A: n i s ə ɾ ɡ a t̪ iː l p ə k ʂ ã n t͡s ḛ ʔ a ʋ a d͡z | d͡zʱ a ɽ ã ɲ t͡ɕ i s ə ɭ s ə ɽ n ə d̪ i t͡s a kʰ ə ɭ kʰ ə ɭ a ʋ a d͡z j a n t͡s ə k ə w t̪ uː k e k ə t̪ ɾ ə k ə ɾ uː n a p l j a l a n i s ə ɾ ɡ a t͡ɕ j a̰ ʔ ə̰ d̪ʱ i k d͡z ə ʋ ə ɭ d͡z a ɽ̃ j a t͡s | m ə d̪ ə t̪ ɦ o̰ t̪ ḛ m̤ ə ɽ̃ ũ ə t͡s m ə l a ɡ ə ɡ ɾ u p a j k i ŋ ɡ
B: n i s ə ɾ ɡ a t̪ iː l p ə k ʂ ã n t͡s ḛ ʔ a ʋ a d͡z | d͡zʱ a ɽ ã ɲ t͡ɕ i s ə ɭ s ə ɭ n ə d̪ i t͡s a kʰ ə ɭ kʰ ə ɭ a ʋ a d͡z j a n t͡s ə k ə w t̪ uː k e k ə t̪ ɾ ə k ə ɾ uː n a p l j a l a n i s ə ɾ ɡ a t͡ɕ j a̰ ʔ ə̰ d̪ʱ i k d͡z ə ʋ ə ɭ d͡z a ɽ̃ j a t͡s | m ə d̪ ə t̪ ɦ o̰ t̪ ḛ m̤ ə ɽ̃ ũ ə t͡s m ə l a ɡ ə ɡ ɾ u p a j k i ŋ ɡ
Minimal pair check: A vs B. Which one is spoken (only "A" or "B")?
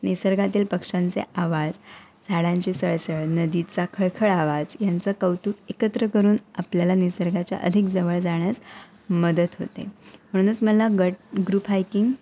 B